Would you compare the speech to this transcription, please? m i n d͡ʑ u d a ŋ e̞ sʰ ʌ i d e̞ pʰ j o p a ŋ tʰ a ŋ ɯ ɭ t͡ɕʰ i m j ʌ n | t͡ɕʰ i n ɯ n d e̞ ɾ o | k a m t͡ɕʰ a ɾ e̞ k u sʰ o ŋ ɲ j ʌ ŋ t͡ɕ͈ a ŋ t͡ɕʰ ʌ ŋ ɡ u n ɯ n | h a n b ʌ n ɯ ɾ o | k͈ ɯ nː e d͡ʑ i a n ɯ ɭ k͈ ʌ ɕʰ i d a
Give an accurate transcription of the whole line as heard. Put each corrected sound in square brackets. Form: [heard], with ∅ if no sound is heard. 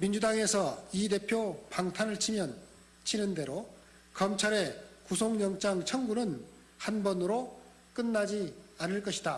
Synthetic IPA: m i n d͡ʑ u d a ŋ e̞ sʰ ʌ i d e̞ pʰ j o p a ŋ tʰ a [n] ɯ ɭ t͡ɕʰ i m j ʌ n | t͡ɕʰ i n ɯ n d e̞ ɾ o | k [ʌ] m t͡ɕʰ a ɾ e̞ k u sʰ o ŋ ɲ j ʌ ŋ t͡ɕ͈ a ŋ t͡ɕʰ ʌ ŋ ɡ u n ɯ n | h a n b ʌ n ɯ ɾ o | k͈ ɯ nː [a] d͡ʑ i a n ɯ ɭ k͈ ʌ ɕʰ i d a